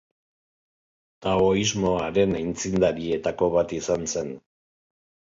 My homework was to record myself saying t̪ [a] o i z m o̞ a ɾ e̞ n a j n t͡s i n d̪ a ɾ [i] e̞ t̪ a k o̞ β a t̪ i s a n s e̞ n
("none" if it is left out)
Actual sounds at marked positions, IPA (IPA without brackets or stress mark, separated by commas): a, i